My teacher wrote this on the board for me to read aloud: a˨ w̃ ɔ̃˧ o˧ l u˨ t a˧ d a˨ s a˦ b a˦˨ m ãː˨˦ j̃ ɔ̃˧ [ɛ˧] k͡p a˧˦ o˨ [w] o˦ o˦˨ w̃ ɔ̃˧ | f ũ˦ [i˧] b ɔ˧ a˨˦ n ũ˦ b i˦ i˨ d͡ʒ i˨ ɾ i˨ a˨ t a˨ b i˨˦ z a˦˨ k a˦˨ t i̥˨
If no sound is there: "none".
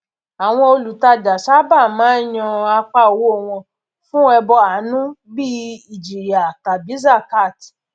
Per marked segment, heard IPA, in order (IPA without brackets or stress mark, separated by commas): a˧, w, ɛ˧